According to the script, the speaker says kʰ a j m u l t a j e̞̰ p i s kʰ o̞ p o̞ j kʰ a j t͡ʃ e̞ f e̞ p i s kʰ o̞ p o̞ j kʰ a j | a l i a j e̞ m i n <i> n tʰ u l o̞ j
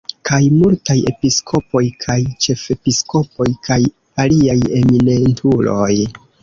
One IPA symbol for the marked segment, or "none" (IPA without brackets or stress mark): e